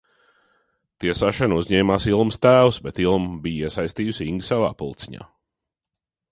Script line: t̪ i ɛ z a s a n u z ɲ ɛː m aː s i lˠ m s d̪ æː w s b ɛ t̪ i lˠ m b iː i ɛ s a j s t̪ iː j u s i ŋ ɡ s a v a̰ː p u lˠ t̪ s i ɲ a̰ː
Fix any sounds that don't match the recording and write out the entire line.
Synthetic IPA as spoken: t̪ i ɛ s a ʃ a n u z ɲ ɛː m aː s i lˠ m s t̪ æː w s b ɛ t̪ i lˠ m b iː i ɛ s a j s t̪ iː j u s i ŋ ɡ s a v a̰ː p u lˠ t̪ s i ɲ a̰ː